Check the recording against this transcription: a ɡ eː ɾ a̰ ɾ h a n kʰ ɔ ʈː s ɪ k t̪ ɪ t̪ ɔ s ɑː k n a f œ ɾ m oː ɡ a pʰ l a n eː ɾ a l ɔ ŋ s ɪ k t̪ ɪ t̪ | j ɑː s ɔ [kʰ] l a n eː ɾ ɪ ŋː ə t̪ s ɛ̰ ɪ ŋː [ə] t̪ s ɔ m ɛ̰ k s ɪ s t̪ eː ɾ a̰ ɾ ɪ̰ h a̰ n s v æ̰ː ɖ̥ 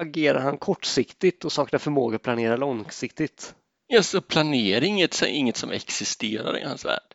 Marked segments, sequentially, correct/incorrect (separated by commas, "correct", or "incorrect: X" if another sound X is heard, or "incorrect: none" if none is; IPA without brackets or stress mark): incorrect: pʰ, correct